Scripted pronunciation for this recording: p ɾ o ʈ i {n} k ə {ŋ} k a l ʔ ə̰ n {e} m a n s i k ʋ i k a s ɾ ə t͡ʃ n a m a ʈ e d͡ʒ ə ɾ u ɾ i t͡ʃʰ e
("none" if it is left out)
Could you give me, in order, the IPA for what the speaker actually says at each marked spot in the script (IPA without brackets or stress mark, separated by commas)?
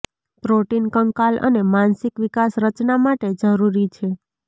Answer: n, ŋ, e